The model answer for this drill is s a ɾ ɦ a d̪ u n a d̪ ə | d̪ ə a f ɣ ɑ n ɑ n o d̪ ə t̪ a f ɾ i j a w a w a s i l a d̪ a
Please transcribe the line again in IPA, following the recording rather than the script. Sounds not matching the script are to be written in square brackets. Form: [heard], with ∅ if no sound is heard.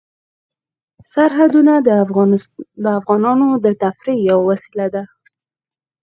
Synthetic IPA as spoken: s a ɾ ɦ a d̪ u n a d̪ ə | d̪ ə a f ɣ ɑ n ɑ n o d̪ ə t̪ a f ɾ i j a w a w a s i l a d̪ a